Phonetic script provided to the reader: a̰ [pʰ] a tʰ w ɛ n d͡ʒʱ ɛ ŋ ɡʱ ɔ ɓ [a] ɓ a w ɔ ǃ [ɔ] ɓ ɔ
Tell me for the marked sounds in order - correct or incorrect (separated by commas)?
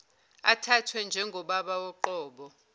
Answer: incorrect, correct, incorrect